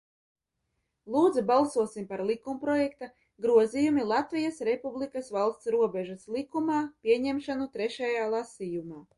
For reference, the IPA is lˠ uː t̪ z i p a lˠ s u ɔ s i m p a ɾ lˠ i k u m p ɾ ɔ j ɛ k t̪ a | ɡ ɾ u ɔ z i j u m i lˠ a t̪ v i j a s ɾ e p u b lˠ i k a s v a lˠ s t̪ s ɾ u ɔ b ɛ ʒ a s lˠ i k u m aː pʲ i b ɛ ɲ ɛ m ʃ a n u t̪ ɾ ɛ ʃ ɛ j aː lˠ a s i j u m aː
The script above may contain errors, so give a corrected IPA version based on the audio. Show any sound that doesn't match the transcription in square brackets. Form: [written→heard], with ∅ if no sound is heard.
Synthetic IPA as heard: lˠ uː [t̪→d̪] z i [p→b] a lˠ s u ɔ s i m p a ɾ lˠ i k u m p ɾ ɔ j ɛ k t̪ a | ɡ ɾ u ɔ z i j u m i lˠ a t̪ v i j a s ɾ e p u b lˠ i k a s v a lˠ s t̪ s ɾ u ɔ b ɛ ʒ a s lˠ i k u m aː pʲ i [b→∅] ɛ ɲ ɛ m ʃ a n u t̪ ɾ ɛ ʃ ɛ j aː lˠ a s i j u m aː